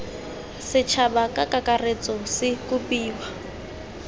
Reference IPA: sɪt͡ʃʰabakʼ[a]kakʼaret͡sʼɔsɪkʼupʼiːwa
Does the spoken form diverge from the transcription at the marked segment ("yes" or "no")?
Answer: no